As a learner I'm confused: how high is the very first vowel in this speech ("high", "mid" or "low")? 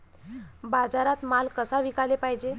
low